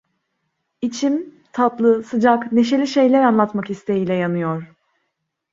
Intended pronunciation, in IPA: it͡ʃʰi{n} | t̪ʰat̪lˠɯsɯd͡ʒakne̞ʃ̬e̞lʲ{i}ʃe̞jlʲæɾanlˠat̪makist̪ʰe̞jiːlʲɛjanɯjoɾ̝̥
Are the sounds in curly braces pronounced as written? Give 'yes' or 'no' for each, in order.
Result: no, yes

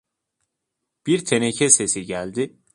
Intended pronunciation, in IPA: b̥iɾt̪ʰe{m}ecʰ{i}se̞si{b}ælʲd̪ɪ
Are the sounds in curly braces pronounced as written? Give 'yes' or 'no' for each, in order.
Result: no, no, no

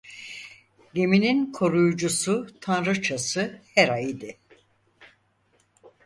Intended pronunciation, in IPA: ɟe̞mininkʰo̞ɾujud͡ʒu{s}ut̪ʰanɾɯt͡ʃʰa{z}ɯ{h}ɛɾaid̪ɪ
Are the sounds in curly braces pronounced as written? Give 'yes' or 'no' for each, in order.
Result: yes, no, yes

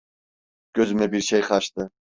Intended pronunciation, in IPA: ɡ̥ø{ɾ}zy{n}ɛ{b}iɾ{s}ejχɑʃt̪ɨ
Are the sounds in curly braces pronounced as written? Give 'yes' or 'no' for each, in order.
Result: no, no, yes, no

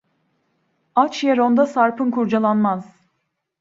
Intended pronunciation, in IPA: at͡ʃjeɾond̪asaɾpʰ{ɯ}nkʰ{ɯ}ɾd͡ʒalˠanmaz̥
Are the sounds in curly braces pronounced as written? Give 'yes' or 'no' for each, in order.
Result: yes, no

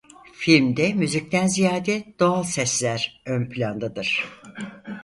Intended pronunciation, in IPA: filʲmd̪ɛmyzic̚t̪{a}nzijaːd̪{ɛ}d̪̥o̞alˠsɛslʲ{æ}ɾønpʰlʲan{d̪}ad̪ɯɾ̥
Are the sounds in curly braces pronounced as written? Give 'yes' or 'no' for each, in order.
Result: no, yes, yes, yes

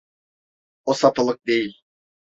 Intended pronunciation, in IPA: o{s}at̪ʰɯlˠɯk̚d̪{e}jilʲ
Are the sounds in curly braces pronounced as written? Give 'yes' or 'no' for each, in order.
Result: yes, yes

